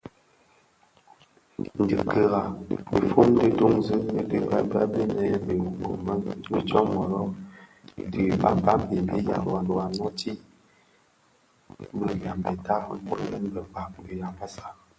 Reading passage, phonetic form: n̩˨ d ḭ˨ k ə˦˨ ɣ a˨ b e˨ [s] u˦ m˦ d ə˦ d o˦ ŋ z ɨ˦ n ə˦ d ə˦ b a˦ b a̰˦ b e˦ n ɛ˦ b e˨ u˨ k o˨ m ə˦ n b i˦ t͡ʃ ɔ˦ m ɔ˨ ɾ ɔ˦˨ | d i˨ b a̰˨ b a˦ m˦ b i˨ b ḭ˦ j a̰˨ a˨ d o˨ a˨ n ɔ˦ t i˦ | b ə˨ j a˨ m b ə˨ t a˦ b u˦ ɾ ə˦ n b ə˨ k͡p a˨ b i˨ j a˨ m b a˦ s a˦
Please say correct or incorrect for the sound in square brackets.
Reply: incorrect